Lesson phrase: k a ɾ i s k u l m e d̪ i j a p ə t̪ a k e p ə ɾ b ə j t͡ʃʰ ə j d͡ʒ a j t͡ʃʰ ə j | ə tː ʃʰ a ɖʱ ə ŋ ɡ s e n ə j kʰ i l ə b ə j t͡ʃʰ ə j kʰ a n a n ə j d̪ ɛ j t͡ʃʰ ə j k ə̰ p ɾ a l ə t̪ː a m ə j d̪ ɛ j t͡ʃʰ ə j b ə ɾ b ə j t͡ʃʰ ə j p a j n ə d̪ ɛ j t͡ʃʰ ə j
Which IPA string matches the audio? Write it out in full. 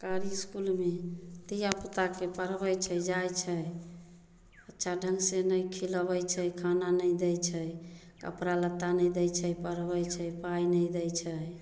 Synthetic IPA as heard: k a ɾ i s k u l m e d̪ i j a p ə t̪ a k e p ə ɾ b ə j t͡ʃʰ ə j d͡ʒ a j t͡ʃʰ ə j | ə tː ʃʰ a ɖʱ ə ŋ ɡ s e n ə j kʰ i l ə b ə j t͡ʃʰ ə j kʰ a n a n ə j d̪ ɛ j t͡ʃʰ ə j k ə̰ p ɾ a l ə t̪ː a n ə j d̪ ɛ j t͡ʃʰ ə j p ə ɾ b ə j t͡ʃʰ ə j p a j n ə d̪ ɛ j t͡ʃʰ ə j